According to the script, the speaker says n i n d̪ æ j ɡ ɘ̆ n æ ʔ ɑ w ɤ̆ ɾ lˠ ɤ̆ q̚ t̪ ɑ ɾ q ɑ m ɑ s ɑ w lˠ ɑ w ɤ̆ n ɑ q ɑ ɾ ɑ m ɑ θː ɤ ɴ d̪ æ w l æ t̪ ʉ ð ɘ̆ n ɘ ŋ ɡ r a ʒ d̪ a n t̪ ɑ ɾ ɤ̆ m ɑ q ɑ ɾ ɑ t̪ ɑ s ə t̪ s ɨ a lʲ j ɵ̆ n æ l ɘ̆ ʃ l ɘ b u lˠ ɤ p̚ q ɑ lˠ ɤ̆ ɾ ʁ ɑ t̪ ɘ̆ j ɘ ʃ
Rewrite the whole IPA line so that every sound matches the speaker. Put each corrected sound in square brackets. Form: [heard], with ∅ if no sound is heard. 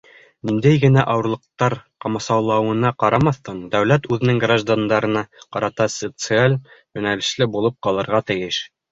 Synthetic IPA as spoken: n i n d̪ æ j ɡ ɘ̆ n æ ʔ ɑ w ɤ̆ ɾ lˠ ɤ̆ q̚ t̪ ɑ ɾ q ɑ m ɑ s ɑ w lˠ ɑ w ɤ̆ n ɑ q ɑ ɾ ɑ m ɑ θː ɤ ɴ d̪ æ w l æ t̪ ʉ ð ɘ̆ n ɘ ŋ ɡ r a ʒ d̪ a n [d̪] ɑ ɾ ɤ̆ [n] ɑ q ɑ ɾ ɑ t̪ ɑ s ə t̪ s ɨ a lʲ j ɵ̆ n æ l ɘ̆ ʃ l ɘ b u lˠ ɤ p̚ q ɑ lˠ ɤ̆ ɾ ʁ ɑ t̪ ɘ̆ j ɘ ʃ

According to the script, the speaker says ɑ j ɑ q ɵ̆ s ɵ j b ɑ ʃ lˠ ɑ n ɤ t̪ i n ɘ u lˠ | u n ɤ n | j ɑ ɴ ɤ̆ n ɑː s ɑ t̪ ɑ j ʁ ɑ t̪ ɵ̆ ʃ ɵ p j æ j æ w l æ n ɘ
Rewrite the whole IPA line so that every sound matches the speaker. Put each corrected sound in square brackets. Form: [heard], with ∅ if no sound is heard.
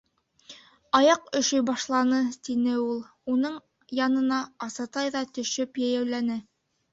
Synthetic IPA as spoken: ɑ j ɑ q ɵ̆ [ʃ] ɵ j b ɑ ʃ lˠ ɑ n ɤ t̪ i n ɘ u lˠ | u n ɤ [ɴ] | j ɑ [n] ɤ̆ n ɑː s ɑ t̪ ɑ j [ð] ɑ t̪ ɵ̆ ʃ ɵ p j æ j æ w l æ n ɘ

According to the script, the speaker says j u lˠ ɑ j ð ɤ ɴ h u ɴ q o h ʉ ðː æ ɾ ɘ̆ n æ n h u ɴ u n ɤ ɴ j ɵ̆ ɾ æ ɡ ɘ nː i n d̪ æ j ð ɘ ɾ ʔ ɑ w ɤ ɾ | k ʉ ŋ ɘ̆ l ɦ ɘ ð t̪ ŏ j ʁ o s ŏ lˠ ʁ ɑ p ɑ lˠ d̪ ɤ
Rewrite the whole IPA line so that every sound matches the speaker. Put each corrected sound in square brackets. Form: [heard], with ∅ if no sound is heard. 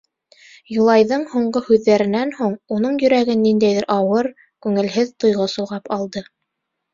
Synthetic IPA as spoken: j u lˠ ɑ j ð ɤ ɴ h u ɴ [ɢ] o h ʉ ðː æ ɾ ɘ̆ n æ n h u ɴ u n ɤ ɴ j ɵ̆ ɾ æ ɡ ɘ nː i n d̪ æ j ð ɘ ɾ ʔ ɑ w ɤ ɾ | k ʉ ŋ ɘ̆ l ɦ ɘ ð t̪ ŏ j ʁ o s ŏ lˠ ʁ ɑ p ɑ lˠ d̪ ɤ

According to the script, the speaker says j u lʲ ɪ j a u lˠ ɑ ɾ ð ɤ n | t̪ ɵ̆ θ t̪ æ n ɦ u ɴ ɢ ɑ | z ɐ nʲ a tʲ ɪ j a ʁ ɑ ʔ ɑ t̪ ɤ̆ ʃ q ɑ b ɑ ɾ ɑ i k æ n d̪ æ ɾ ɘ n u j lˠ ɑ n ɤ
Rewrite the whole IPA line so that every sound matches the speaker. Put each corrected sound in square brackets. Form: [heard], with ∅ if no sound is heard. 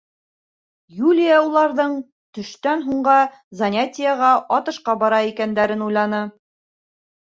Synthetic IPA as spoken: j u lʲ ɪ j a u lˠ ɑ ɾ ð ɤ [ɴ] | t̪ ɵ̆ [ʃ] t̪ æ n ɦ u ɴ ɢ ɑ | z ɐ nʲ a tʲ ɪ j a ʁ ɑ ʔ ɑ t̪ ɤ̆ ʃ q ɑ b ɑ ɾ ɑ i k æ n d̪ æ ɾ ɘ n u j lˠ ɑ n ɤ

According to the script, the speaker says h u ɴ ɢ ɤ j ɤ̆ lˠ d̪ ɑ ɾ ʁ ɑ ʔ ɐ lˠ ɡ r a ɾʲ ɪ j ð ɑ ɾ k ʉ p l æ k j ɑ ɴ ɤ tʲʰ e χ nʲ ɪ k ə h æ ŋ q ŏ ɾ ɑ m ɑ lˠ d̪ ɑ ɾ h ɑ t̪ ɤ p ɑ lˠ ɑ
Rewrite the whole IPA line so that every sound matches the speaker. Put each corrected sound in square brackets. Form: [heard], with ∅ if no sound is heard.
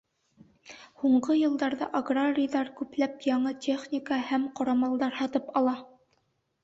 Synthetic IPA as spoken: h u ɴ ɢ ɤ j ɤ̆ lˠ d̪ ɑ ɾ [ð] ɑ ʔ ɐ [∅] ɡ r a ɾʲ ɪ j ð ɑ ɾ k ʉ p l æ [p] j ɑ ɴ ɤ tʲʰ e χ nʲ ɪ k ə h æ [m] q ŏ ɾ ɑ m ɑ lˠ d̪ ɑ ɾ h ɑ t̪ ɤ p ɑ lˠ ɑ

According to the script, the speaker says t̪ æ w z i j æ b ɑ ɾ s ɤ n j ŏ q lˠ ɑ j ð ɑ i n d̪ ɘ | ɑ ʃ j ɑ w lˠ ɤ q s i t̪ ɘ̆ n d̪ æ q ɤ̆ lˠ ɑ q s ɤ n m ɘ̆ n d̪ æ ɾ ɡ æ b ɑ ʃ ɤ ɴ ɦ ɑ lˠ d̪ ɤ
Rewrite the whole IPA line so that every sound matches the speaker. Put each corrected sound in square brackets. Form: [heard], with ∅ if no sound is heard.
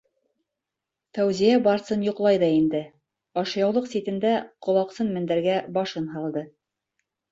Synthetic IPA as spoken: t̪ æ w z i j æ b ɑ ɾ s ɤ n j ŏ q lˠ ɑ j ð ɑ i n d̪ ɘ | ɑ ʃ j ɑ w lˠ ɤ q s i t̪ ɘ̆ n d̪ æ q [ŏ] lˠ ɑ q s ɤ n m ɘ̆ n d̪ æ ɾ ɡ æ b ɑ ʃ ɤ [n] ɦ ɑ lˠ d̪ ɤ

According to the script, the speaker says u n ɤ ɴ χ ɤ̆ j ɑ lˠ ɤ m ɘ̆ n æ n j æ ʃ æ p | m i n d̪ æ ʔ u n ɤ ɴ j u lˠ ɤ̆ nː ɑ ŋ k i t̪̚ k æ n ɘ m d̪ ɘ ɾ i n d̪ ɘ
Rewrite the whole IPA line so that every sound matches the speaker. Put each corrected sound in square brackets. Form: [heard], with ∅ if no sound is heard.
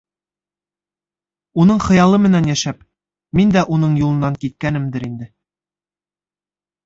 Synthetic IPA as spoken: u n ɤ ɴ χ ɤ̆ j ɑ lˠ ɤ m ɘ̆ n æ n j æ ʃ æ p | m i n d̪ æ ʔ u n ɤ ɴ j u lˠ ɤ̆ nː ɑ ŋ k i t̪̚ k æ n ɘ m d̪ ɘ ɾ i n d̪ ɘ

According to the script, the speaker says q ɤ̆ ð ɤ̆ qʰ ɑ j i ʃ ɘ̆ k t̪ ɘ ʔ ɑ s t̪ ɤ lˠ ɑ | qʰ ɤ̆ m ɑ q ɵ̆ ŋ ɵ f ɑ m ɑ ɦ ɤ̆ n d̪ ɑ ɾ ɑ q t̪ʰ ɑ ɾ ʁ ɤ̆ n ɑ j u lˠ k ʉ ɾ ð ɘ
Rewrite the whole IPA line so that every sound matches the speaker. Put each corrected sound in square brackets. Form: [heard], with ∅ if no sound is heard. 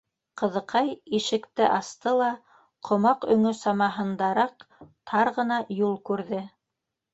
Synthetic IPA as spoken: q ɤ̆ ð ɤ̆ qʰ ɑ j i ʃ ɘ̆ k t̪ ɘ ʔ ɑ s t̪ ɤ lˠ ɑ | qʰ [ŏ] m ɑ q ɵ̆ ŋ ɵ [s] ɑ m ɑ ɦ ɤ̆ n d̪ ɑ ɾ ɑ q t̪ʰ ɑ ɾ ʁ ɤ̆ n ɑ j u lˠ k ʉ ɾ ð ɘ

